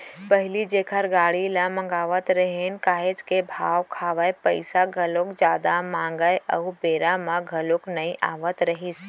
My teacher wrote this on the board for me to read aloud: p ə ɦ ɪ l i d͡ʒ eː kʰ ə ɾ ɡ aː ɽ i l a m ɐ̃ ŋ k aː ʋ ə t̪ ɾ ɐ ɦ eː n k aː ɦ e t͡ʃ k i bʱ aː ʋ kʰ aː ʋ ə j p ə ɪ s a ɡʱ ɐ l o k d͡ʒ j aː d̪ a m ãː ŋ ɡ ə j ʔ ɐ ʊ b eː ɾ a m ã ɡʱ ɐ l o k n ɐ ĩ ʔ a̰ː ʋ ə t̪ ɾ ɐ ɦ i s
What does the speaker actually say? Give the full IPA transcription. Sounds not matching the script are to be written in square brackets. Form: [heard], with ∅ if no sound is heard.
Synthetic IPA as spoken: p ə ɦ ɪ l i d͡ʒ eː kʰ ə ɾ ɡ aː ɽ i l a m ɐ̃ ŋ [ɡ] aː ʋ ə t̪ ɾ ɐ ɦ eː n k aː ɦ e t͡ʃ k [e] bʱ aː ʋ kʰ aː ʋ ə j p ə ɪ s a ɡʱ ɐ l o k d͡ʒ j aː d̪ a m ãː ŋ ɡ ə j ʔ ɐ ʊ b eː ɾ a m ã ɡʱ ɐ l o k n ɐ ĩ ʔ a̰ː ʋ ə t̪ ɾ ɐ ɦ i s

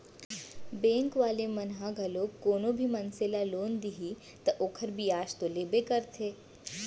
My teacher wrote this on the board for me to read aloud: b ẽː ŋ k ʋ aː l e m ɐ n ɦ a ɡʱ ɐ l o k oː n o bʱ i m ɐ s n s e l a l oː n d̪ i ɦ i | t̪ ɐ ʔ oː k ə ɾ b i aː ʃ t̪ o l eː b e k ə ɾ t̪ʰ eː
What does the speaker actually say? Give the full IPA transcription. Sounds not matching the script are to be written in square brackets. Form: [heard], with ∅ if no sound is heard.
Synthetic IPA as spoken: b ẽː ŋ k ʋ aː l e m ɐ n ɦ a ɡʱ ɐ l o k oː n o bʱ i m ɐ [∅] n s e l a l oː n d̪ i ɦ i | t̪ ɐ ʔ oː [kʰ] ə ɾ b i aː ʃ t̪ o l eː b e k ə ɾ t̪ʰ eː

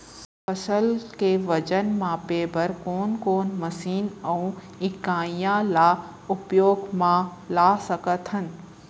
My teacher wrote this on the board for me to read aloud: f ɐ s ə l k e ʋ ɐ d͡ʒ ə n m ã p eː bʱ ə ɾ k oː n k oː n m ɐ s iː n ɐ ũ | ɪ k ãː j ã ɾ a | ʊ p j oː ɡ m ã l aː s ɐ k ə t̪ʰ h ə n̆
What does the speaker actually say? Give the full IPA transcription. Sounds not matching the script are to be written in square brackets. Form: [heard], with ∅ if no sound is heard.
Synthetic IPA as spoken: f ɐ s ə l k e ʋ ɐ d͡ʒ ə n m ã p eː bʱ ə ɾ k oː n k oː n m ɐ s iː n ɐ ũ | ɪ k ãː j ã [l] a | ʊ p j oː ɡ m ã l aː s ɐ k ə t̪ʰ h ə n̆

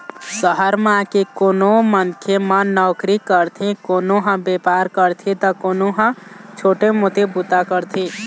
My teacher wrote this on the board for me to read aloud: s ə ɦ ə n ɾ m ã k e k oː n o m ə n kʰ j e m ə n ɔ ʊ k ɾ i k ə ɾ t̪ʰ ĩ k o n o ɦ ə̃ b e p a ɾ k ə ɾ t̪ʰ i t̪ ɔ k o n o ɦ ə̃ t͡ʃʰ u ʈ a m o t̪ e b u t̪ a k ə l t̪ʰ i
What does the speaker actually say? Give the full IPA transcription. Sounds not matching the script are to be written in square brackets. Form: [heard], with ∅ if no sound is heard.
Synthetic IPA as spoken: s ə ɦ ə [∅] ɾ m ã k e k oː n o m ə n kʰ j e m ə n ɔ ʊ k ɾ i k ə ɾ t̪ʰ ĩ k o n o ɦ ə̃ b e p a ɾ k ə ɾ t̪ʰ i t̪ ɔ k o n o ɦ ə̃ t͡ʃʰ [o] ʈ [e] m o t̪ e b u t̪ a k ə [ɾ] t̪ʰ i

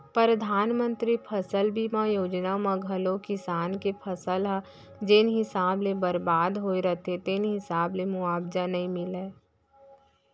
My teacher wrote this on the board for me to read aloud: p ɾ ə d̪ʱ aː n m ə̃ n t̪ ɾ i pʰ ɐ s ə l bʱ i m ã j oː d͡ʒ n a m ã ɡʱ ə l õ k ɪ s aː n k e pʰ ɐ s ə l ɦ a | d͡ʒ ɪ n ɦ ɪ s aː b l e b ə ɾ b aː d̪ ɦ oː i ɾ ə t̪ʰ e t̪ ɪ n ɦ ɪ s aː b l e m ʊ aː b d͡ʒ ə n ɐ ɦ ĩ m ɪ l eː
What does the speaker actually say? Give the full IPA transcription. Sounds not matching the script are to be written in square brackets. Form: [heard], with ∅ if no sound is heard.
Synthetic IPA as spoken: p ɾ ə d̪ʱ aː n m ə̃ n t̪ ɾ i pʰ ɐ s ə l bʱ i m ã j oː d͡ʒ n a m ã ɡʱ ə l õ k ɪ s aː n k e pʰ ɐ s ə l ɦ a | d͡ʒ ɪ n ɦ ɪ s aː b l e b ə ɾ b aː d̪ ɦ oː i ɾ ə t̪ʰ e t̪ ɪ n ɦ ɪ s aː b l e m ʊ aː b d͡ʒ [a] n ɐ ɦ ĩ m ɪ l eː

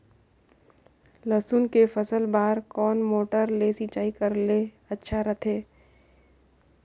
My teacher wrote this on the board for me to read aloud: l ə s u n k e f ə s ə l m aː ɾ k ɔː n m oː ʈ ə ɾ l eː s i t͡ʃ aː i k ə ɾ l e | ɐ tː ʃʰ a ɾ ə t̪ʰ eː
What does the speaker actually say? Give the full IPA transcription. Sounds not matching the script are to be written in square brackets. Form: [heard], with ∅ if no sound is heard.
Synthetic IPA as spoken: l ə s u n k e f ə s ə l [b] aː ɾ k ɔː n m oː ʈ ə ɾ l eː s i t͡ʃ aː i k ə ɾ l e | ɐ tː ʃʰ a ɾ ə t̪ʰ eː

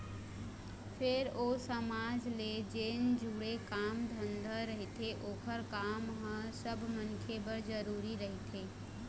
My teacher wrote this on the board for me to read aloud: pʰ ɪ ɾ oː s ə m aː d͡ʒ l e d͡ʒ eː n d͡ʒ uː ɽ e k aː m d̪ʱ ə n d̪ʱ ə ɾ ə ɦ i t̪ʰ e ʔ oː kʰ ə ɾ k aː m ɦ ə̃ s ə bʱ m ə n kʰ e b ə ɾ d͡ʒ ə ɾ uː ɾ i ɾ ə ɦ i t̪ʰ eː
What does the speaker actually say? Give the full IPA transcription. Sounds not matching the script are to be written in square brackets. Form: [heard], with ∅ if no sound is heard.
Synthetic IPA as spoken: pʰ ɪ ɾ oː s ə m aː d͡ʒ l e d͡ʒ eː n d͡ʒ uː ɽ e k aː m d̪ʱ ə n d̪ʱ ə ɾ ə ɦ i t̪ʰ e ʔ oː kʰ ə ɾ k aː m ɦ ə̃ s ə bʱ m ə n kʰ e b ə ɾ d͡ʒ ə ɾ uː ɾ i ɾ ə ɦ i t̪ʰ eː

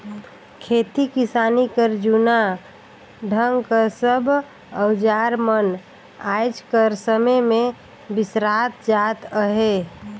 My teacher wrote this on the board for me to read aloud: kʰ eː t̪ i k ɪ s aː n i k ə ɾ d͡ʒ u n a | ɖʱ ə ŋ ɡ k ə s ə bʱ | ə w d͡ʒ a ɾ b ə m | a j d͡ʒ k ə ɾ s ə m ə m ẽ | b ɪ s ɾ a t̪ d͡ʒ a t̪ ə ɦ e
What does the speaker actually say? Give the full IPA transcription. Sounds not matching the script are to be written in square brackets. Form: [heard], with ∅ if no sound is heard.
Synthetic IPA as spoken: kʰ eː t̪ i k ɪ s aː n i k ə ɾ d͡ʒ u n a | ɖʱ ə ŋ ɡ k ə s ə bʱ | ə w d͡ʒ a ɾ [m] ə [n] | a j d͡ʒ k ə ɾ s ə m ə m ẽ | b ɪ s ɾ a t̪ d͡ʒ a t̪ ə ɦ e

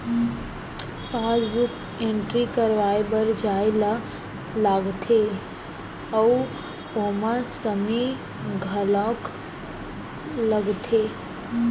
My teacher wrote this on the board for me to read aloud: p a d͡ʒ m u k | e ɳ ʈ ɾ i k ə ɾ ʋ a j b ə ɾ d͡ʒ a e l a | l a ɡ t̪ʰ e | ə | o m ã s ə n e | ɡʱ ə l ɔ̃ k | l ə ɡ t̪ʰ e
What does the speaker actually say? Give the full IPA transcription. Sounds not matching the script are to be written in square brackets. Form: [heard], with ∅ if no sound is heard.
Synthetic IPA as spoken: p a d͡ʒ [b] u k | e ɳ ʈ ɾ i k ə ɾ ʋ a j b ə ɾ d͡ʒ a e l a | l a ɡ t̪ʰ e | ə | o m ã s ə [m] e | ɡʱ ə l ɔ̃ k | l ə ɡ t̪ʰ e

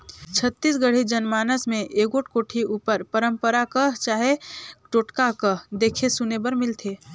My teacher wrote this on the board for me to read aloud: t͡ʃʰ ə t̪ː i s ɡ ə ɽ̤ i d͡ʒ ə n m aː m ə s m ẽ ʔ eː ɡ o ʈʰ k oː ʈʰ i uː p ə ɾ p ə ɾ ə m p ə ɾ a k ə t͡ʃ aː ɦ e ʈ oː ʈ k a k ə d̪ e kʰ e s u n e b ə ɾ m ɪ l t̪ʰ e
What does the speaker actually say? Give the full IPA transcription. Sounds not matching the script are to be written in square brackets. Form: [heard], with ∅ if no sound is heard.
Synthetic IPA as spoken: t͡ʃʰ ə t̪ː i s ɡ ə ɽ̤ i d͡ʒ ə n m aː [n] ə s m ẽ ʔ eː ɡ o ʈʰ k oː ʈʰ i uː p ə ɾ p ə ɾ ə m p ə ɾ a k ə t͡ʃ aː ɦ e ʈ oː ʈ k a k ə d̪ e kʰ e s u n e b ə ɾ m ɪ l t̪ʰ e

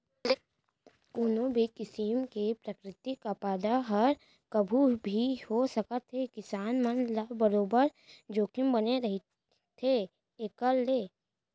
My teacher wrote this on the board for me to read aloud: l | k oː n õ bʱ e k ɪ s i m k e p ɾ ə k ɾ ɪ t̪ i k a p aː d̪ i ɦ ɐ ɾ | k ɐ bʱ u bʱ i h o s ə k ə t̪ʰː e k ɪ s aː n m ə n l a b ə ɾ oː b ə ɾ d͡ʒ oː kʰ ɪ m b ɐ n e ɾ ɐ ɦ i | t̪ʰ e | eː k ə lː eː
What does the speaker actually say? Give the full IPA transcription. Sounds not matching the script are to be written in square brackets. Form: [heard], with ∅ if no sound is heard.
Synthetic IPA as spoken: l | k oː n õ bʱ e k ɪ s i m k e p ɾ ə k ɾ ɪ t̪ i k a p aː d̪ [a] ɦ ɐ ɾ | k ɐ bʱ u bʱ i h o s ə k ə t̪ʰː e k ɪ s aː n m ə n l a b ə ɾ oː b ə ɾ d͡ʒ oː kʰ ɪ m b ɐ n e ɾ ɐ ɦ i | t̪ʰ e | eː k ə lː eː

